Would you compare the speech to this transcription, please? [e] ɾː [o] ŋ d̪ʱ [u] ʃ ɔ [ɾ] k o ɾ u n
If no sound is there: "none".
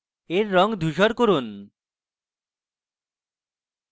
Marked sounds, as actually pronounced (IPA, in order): e, ɔ, u, ɾ

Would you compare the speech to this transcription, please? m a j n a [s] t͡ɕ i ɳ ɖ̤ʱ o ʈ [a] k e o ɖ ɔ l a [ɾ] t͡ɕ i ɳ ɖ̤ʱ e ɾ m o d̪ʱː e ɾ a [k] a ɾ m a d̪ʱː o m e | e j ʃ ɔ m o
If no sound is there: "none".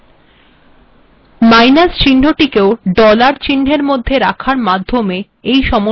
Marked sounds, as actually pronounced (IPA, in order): s, i, ɾ, kʰ

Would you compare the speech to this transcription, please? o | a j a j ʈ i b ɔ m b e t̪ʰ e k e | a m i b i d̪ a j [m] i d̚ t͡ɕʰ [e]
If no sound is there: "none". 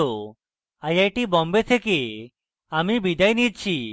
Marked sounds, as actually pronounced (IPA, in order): n, i

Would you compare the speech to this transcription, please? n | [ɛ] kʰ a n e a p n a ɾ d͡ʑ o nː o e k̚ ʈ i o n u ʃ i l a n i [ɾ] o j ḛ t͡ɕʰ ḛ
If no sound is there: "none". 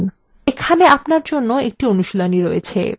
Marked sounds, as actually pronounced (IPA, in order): e, ɾ

